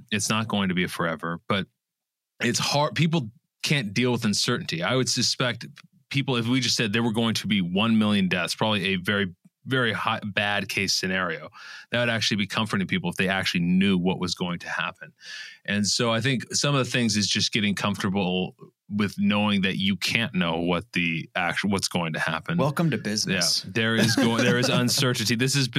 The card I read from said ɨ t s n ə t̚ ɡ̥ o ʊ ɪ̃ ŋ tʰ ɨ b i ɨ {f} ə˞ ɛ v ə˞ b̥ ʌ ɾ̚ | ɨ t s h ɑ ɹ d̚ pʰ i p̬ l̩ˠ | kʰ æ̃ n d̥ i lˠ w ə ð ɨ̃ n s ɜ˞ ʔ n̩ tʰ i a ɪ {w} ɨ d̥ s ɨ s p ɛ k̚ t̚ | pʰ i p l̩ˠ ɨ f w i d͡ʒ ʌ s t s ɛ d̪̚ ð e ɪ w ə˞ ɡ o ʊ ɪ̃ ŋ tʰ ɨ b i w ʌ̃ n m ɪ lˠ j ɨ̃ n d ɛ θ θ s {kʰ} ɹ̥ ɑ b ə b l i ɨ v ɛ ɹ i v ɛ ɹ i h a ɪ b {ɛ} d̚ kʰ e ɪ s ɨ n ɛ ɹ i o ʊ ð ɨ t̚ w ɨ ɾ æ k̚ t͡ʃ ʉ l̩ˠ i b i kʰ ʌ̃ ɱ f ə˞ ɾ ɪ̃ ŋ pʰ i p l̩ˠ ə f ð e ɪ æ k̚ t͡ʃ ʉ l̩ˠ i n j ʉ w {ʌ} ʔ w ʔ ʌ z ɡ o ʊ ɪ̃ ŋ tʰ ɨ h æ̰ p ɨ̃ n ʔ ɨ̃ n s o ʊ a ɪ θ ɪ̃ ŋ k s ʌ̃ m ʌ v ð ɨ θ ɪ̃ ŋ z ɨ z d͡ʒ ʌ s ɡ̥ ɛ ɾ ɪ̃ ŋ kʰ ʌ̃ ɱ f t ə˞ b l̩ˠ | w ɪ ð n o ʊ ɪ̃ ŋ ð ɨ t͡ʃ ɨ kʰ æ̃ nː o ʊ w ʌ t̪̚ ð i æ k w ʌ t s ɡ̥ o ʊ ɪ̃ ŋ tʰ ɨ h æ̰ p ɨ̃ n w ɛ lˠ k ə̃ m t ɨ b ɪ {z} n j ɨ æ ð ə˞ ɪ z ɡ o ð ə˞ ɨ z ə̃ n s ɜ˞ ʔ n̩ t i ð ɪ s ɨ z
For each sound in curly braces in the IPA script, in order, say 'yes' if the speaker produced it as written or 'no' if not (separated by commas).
yes, yes, no, no, yes, yes